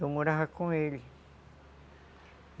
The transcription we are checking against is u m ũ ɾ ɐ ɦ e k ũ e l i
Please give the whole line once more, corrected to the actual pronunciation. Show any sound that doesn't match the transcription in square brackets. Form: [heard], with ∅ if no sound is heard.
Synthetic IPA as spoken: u m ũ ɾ [a] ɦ [a] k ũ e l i